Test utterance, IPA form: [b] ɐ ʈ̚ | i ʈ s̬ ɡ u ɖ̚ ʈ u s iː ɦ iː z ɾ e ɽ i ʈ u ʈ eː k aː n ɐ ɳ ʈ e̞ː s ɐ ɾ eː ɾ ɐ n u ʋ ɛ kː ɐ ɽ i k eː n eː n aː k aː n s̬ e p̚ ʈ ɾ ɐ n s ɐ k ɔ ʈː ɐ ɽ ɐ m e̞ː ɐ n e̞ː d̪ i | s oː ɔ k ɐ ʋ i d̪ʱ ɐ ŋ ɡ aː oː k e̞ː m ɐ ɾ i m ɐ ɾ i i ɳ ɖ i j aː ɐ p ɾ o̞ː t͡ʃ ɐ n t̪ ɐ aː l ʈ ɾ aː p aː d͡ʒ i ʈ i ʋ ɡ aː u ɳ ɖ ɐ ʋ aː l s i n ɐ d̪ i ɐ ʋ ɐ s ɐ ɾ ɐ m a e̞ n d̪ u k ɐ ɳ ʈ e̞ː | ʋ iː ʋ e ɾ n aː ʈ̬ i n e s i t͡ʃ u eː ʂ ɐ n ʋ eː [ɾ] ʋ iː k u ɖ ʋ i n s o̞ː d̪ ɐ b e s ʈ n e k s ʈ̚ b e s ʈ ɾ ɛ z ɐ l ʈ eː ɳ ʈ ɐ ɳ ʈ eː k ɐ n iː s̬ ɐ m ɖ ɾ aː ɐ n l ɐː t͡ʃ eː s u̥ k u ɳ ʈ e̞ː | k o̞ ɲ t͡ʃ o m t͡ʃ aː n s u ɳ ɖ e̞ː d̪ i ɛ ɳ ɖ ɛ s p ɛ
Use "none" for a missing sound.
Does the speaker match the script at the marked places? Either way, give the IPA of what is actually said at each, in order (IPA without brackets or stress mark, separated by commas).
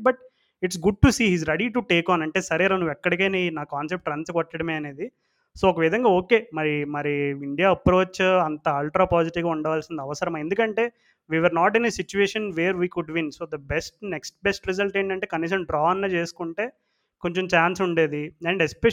b, ɾ